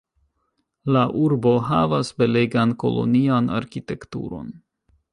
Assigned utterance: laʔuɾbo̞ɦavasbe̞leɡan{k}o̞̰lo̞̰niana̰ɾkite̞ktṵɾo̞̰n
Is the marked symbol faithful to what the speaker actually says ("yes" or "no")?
yes